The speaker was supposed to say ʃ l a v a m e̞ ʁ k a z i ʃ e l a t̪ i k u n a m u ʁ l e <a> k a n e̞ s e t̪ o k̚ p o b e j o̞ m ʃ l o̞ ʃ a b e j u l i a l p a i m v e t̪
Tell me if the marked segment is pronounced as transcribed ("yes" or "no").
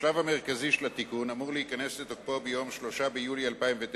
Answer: no